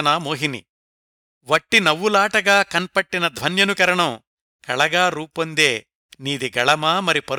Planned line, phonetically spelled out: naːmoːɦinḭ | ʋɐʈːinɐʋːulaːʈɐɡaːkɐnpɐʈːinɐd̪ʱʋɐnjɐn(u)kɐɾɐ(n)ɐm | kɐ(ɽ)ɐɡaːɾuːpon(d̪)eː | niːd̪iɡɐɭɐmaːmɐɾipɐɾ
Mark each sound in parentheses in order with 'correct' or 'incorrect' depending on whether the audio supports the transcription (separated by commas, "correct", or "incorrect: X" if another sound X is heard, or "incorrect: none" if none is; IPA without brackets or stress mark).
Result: correct, incorrect: ɳ, incorrect: ɭ, correct